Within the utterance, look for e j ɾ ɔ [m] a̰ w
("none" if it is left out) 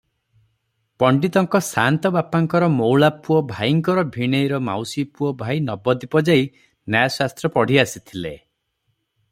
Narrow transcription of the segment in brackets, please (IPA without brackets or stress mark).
m